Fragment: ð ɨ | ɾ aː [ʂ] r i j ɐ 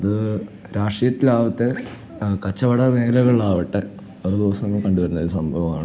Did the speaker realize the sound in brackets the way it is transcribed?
yes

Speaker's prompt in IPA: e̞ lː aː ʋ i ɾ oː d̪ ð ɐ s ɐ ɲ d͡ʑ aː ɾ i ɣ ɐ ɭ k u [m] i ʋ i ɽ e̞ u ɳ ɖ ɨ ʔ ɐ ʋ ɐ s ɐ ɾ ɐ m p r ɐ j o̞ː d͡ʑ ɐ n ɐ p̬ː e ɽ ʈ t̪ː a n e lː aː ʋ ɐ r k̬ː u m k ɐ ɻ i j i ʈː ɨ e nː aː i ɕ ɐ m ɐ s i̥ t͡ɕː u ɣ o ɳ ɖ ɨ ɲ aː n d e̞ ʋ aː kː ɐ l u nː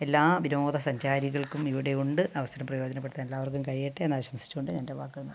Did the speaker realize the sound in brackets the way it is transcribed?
yes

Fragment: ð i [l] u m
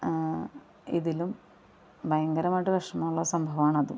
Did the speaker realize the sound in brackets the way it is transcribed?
yes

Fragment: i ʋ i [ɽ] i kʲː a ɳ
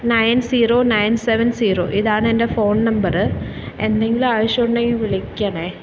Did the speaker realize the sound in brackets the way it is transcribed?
no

